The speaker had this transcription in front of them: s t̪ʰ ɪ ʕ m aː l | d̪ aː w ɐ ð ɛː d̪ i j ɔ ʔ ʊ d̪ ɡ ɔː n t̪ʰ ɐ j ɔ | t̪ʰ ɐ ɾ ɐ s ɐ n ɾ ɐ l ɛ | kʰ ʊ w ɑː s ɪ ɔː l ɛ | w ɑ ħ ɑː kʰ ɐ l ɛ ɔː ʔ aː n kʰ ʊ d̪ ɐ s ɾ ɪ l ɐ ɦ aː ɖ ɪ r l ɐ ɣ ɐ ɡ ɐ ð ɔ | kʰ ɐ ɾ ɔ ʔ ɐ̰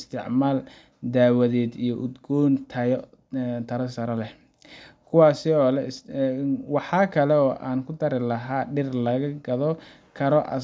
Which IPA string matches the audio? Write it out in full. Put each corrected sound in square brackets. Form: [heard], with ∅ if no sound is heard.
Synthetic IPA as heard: s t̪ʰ ɪ ʕ m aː l | d̪ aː w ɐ ð ɛː d̪ i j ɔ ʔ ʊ d̪ ɡ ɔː n t̪ʰ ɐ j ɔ | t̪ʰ ɐ ɾ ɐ s ɐ [∅] ɾ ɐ l ɛ | kʰ ʊ w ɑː s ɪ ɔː l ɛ | w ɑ ħ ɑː kʰ ɐ l ɛ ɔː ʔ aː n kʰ ʊ d̪ ɐ [∅] ɾ ɪ l ɐ ɦ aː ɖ ɪ r l ɐ ɣ ɐ ɡ ɐ ð ɔ | kʰ ɐ ɾ ɔ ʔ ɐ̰